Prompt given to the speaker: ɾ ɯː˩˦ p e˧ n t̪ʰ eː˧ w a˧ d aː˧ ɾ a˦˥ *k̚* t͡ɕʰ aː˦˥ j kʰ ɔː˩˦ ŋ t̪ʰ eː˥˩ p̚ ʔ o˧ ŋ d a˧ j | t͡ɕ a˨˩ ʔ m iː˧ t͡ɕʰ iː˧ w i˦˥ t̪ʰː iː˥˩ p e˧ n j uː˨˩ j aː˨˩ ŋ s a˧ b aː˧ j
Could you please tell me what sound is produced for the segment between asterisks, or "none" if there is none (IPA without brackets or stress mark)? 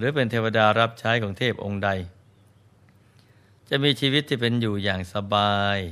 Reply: p̚